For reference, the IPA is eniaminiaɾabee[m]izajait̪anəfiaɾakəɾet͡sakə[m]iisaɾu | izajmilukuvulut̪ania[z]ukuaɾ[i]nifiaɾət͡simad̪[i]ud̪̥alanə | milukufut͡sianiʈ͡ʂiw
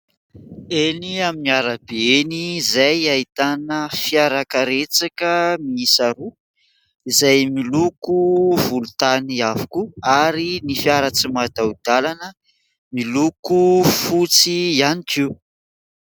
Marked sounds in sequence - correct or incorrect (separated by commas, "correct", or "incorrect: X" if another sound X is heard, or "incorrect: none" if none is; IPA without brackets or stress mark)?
incorrect: n, correct, incorrect: v, correct, incorrect: a